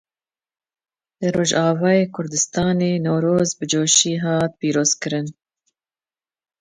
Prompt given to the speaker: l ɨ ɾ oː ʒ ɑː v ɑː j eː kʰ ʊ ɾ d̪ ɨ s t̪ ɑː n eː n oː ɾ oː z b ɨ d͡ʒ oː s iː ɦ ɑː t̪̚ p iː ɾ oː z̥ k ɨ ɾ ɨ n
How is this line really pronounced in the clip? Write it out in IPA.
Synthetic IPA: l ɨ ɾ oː ʒ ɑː v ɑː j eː kʰ ʊ ɾ d̪ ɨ s t̪ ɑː n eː n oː ɾ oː z b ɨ d͡ʒ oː ʃ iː ɦ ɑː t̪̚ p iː ɾ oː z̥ k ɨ ɾ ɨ n